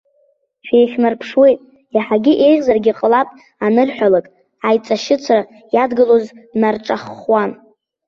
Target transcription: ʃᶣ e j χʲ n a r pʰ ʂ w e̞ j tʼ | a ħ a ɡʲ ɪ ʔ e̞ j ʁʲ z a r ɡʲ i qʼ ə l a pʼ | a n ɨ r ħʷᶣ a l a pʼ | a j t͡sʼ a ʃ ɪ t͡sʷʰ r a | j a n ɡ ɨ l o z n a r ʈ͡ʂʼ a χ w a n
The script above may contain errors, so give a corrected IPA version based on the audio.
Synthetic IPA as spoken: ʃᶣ e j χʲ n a r pʰ ʂ w e̞ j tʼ | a ħ a ɡʲ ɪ ʔ e̞ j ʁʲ z a r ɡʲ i qʼ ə l a pʼ | a n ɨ r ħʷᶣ a l a kʼ | a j t͡sʼ a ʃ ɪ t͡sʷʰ r a | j a d ɡ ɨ l o z n a r ʈ͡ʂʼ a χ w a n